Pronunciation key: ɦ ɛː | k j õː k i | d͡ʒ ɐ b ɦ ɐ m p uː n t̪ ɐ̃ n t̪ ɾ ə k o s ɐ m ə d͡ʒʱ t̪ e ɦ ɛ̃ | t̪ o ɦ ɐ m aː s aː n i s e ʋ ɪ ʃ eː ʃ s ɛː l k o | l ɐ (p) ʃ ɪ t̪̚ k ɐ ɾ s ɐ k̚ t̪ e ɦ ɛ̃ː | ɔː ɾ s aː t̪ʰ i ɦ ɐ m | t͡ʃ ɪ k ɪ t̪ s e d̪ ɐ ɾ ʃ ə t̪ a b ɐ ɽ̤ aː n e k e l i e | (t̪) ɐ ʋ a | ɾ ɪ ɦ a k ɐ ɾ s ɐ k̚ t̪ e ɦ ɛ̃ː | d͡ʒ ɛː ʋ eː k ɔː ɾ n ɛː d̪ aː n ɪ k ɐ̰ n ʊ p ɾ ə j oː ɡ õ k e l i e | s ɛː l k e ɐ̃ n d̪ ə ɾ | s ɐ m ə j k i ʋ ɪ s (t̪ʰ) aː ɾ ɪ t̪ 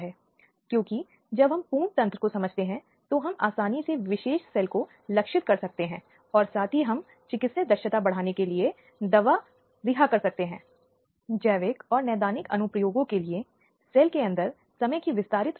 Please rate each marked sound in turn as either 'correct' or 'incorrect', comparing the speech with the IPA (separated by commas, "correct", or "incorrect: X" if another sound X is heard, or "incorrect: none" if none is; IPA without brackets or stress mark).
incorrect: k, incorrect: d̪, incorrect: t̪